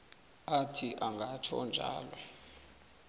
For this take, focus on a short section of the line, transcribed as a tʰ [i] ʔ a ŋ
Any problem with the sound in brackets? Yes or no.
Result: no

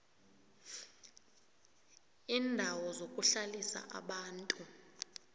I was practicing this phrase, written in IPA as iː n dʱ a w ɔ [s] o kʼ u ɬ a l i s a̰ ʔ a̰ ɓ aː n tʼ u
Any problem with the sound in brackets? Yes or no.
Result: yes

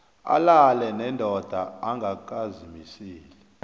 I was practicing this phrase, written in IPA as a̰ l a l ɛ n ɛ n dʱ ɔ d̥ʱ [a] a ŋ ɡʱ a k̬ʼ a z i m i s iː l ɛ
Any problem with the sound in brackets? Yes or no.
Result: no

